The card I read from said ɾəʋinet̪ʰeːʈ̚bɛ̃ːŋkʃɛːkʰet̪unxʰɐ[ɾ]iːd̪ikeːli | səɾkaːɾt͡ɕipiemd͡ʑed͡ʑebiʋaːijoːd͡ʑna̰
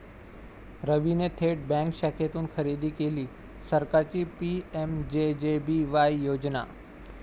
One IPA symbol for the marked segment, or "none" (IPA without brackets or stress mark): ɾ